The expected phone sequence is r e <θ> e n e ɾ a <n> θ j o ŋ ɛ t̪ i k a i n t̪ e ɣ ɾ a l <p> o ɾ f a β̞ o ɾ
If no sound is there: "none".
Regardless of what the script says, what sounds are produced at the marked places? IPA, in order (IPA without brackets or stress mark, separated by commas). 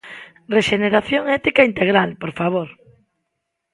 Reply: ʃ, none, p